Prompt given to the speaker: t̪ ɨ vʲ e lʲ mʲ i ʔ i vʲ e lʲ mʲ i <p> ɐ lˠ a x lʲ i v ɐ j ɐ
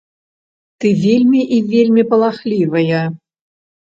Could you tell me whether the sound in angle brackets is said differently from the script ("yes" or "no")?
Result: no